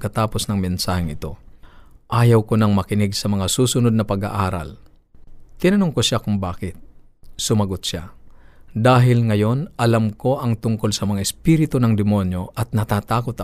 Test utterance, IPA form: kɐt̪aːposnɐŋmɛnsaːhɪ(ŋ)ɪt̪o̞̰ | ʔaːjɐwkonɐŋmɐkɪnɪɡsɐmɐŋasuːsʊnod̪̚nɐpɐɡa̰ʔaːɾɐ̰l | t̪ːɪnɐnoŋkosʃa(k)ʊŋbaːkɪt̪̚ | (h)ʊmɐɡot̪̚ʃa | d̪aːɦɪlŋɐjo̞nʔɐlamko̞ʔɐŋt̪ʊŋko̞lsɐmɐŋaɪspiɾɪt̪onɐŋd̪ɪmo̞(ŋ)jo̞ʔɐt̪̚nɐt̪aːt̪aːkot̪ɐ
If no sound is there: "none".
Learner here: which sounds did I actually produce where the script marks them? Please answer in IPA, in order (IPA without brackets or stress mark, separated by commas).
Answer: ŋ, k, s, n